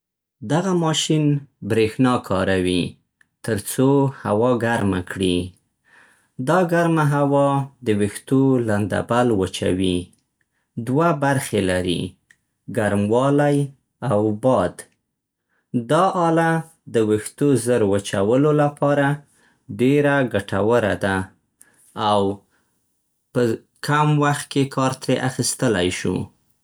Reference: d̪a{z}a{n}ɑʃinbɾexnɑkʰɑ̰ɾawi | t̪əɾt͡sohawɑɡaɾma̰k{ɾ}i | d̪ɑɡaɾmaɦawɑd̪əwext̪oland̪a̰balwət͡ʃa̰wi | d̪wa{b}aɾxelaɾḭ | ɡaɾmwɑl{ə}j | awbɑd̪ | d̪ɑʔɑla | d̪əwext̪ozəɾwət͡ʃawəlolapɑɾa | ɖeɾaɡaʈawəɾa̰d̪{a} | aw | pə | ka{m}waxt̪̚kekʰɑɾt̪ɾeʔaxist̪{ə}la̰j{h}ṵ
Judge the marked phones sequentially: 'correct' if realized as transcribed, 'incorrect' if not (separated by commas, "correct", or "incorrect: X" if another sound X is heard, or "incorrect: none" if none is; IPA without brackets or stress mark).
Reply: incorrect: ɣ, incorrect: m, incorrect: ɽ, correct, incorrect: a, correct, correct, correct, incorrect: ʃ